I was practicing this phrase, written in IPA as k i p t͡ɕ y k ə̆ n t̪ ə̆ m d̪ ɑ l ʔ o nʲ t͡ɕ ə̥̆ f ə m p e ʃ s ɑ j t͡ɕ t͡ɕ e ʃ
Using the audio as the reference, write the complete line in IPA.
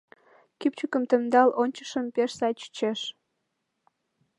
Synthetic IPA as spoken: k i p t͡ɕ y k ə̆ m t̪ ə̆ m d̪ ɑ l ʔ o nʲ t͡ɕ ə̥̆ ʃ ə m p e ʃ s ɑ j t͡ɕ t͡ɕ e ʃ

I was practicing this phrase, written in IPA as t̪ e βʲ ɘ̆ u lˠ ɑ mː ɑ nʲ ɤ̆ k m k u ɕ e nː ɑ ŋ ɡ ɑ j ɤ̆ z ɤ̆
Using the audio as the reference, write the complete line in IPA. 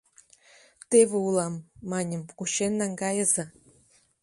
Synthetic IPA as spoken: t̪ e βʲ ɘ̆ u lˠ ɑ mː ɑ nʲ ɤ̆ m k u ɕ e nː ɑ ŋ ɡ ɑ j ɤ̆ z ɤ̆

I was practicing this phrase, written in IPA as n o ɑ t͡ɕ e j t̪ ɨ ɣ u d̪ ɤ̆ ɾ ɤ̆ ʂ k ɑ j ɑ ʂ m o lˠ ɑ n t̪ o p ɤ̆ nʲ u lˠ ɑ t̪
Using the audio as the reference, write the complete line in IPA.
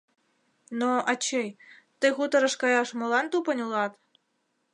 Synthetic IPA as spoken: n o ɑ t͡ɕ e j t̪ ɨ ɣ u t̪ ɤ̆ ɾ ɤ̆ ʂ k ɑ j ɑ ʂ m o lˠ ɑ n t̪ u p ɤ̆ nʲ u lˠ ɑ t̪

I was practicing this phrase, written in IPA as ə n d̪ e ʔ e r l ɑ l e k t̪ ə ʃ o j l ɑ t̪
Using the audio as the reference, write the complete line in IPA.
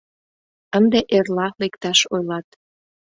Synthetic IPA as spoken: ə n d̪ e ʔ e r l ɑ l e k t̪ ɑ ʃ o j l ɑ t̪

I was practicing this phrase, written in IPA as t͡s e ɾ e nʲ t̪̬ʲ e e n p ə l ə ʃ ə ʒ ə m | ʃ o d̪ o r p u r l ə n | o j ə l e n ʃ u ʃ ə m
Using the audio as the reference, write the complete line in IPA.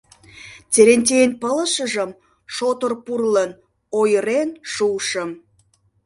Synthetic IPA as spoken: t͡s e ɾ e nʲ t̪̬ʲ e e n p ə l ə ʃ ə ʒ ə m | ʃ o t̪ o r p u r l ə n | o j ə ɾ e n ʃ u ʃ ə m

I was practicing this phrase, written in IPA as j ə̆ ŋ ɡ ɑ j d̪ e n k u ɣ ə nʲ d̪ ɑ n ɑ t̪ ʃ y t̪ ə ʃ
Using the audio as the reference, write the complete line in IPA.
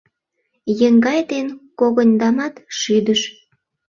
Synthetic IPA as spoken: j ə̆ ŋ ɡ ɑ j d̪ e n k o ɣ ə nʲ d̪ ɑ m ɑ t̪ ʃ y d̪ ə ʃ

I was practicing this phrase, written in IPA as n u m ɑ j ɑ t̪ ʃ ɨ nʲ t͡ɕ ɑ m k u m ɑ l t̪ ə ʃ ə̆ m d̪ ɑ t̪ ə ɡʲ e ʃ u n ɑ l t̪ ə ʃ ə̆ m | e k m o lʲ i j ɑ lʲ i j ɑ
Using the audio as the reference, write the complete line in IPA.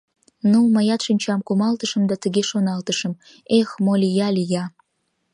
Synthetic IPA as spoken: n u m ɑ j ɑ t̪ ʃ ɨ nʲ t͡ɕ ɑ m k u m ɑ l t̪ ə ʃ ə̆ m d̪ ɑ t̪ ə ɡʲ e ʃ o n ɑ l t̪ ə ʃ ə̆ m | e x m o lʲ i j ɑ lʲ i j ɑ

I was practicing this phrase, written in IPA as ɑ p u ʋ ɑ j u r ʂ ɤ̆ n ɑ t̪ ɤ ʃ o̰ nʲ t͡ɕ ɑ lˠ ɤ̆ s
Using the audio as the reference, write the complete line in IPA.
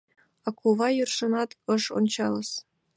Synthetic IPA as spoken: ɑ k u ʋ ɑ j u r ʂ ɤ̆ n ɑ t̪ ɤ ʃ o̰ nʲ t͡ɕ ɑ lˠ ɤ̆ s

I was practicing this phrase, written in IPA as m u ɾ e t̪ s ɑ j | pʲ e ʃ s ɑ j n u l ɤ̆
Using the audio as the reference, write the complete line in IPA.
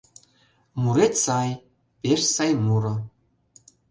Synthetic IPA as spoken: m u ɾ e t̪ s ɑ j | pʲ e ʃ s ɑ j m u ɾ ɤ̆

